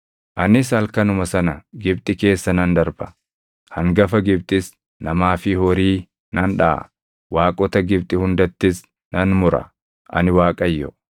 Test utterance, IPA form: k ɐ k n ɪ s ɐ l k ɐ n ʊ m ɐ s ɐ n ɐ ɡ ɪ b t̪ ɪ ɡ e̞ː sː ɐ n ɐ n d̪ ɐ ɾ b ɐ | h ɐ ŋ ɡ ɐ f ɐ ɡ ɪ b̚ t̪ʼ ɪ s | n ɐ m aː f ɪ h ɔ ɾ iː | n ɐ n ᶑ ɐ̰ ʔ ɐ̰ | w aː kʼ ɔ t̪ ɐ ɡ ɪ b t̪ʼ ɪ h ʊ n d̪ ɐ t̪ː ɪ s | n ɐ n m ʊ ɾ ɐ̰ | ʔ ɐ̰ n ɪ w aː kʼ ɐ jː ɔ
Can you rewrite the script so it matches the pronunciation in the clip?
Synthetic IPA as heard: ʔ ɐ n ɪ s ɐ l k ɐ n ʊ m ɐ s ɐ n ɐ ɡ ɪ b t̪ʼ ɪ k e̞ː sː ɐ n ɐ n d̪ ɐ ɾ b ɐ | h ɐ ŋ ɡ ɐ f ɐ ɡ ɪ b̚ t̪ʼ ɪ s | n ɐ m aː f ɪ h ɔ ɾ iː | n ɐ n ᶑ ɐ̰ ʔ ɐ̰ | w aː kʼ ɔ t̪ ɐ ɡ ɪ b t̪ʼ ɪ h ʊ n d̪ ɐ t̪ː ɪ s | n ɐ n m ʊ ɾ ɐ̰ | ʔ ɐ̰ n ɪ w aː kʼ ɐ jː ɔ